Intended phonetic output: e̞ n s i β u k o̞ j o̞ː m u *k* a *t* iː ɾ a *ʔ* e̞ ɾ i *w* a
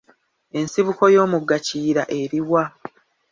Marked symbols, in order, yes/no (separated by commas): no, no, yes, yes